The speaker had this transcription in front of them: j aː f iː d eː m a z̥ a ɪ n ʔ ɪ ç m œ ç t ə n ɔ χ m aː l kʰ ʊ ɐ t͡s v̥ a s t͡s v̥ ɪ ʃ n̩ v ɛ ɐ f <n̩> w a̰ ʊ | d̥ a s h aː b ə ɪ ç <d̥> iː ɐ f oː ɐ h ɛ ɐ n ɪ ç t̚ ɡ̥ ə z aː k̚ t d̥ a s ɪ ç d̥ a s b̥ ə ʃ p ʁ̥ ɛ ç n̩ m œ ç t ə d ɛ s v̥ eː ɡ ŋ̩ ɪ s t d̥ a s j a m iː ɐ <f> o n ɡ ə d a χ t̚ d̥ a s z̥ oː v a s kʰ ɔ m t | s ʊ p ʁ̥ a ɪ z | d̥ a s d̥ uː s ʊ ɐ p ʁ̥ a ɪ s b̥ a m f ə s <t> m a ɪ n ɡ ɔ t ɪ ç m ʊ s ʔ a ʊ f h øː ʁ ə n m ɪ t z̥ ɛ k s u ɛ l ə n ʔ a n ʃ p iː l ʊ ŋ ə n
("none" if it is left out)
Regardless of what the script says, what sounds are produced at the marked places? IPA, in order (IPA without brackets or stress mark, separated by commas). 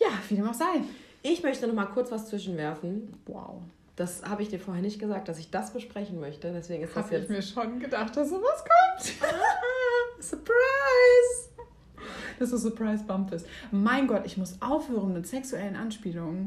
n̩, d̥, ʃ, t